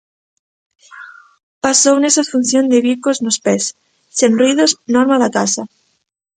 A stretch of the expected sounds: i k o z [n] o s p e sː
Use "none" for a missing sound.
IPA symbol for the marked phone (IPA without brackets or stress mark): n